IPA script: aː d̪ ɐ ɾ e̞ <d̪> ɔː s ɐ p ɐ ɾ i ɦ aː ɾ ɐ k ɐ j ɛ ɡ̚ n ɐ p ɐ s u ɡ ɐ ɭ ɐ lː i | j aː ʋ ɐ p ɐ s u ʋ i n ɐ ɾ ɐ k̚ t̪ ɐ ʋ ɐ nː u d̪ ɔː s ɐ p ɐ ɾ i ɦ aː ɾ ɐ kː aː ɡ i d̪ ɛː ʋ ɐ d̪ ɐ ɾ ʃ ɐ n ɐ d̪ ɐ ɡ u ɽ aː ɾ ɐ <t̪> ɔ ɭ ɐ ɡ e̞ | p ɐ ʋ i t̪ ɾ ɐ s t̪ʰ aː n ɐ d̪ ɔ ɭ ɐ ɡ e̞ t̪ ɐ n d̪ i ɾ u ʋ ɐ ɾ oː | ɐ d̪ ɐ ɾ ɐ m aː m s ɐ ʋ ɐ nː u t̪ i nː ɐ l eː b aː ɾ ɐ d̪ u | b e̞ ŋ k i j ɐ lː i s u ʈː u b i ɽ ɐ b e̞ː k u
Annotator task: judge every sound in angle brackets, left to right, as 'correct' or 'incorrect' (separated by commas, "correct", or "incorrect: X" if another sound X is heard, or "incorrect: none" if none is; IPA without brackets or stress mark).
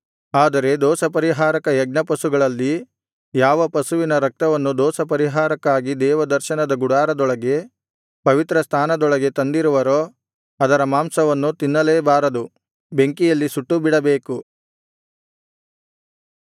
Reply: correct, incorrect: d̪